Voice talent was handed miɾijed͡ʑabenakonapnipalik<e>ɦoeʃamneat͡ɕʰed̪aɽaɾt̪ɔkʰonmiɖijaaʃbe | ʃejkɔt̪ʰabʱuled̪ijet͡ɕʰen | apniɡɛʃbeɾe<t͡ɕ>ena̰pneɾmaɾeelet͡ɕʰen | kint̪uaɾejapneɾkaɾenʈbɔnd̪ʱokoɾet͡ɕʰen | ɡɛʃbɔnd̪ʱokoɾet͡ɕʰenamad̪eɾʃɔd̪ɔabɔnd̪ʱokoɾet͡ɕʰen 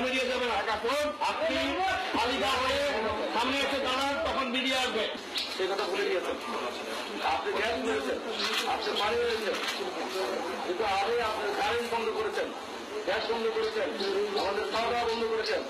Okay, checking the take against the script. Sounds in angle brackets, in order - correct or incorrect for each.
incorrect, incorrect

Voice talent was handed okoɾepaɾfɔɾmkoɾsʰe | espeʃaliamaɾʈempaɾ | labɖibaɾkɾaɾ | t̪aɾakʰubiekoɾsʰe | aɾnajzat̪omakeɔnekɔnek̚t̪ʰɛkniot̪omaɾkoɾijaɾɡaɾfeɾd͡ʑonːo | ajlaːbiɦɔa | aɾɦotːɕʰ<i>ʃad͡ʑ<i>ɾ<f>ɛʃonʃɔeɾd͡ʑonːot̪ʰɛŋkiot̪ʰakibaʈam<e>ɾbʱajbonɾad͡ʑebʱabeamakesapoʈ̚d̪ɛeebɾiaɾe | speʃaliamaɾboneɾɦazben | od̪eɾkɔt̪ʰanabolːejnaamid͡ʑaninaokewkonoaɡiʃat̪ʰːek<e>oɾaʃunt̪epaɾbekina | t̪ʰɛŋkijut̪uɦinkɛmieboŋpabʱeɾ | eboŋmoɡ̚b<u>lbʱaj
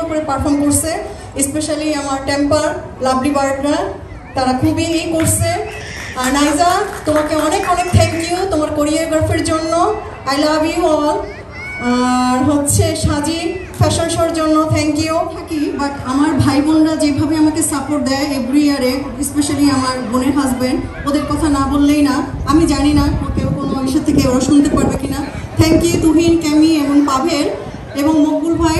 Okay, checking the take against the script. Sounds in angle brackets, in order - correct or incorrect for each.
incorrect, correct, correct, incorrect, correct, correct

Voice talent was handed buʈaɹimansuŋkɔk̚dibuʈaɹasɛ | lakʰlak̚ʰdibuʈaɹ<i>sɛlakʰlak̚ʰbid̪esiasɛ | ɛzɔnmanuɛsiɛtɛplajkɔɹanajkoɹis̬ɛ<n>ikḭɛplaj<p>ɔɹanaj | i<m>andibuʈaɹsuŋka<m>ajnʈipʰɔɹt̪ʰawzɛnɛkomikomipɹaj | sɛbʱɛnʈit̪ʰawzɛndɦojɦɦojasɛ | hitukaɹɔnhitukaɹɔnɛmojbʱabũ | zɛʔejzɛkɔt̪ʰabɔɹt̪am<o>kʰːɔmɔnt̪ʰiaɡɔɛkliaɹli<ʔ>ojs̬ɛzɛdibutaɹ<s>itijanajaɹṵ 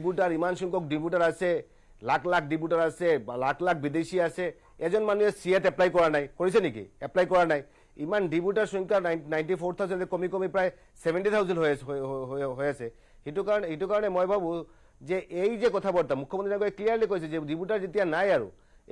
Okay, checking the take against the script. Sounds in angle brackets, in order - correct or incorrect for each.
incorrect, correct, incorrect, correct, incorrect, incorrect, incorrect, incorrect

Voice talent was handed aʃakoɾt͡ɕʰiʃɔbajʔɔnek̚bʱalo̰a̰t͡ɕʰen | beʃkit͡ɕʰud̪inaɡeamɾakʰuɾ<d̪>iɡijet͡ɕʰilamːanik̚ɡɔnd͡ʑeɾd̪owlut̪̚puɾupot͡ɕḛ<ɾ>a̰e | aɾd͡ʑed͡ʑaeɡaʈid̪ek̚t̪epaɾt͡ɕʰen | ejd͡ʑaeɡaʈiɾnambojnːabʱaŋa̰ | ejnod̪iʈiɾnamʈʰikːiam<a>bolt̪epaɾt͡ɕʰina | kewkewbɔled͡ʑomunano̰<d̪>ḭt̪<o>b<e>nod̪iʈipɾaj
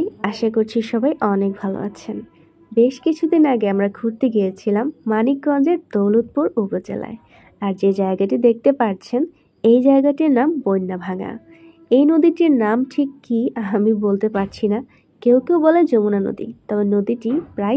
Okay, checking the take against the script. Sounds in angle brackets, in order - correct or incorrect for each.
incorrect, incorrect, incorrect, correct, incorrect, correct

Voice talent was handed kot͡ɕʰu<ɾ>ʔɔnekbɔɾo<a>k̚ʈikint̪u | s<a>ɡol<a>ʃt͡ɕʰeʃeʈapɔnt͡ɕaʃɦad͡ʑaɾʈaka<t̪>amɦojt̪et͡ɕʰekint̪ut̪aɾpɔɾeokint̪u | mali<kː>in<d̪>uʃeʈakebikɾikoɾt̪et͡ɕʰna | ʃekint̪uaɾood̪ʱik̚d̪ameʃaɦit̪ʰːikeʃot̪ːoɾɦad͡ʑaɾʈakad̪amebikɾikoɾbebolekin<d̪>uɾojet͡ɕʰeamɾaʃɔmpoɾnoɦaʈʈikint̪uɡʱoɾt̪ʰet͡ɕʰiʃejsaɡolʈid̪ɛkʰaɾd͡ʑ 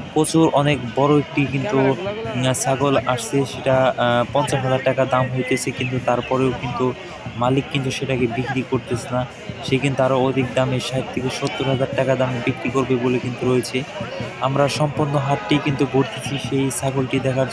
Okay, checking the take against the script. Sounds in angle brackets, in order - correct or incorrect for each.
correct, incorrect, correct, correct, incorrect, correct, incorrect, incorrect

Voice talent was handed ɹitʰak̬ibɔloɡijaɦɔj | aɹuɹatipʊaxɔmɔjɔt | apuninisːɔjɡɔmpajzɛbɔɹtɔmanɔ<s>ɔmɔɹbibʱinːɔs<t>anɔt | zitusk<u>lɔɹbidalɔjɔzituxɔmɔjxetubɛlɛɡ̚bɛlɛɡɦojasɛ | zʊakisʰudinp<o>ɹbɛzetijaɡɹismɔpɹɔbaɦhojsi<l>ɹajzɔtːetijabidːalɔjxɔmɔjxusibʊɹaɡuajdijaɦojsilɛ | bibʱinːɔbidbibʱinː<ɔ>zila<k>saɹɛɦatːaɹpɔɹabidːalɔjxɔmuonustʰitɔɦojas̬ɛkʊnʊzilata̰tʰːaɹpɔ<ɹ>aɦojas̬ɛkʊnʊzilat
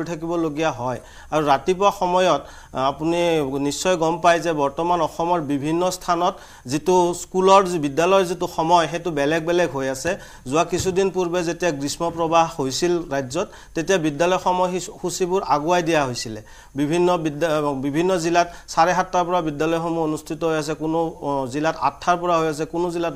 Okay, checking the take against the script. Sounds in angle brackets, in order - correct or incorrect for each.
incorrect, incorrect, correct, incorrect, correct, correct, incorrect, correct

